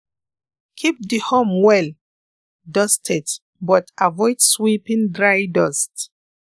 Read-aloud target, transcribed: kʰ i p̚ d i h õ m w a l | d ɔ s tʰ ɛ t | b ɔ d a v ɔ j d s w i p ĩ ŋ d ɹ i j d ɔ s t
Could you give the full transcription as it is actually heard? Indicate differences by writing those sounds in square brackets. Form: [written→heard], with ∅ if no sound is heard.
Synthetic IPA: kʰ i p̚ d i h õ m w [a→ɛ] l | d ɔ s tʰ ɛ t | b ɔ [d→t] a v ɔ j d s w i p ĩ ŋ d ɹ [i→a] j d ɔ s t